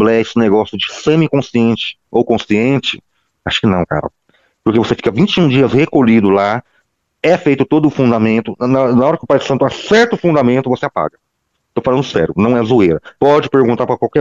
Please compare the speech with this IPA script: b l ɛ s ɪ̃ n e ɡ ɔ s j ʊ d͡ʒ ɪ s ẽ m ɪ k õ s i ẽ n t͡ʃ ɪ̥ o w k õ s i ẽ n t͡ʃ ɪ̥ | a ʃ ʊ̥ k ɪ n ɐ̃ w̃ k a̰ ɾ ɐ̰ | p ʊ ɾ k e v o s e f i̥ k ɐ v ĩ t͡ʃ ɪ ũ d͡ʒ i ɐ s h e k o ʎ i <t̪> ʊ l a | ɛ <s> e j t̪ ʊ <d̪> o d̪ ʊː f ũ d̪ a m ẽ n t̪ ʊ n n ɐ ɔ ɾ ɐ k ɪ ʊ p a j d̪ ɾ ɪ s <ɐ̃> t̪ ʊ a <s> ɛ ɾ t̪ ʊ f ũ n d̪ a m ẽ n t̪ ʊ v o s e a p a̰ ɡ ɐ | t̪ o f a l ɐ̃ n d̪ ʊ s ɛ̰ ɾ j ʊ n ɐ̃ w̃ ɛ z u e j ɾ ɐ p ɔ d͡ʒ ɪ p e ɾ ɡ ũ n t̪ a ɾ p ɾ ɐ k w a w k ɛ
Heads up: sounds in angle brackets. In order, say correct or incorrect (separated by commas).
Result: incorrect, incorrect, incorrect, correct, correct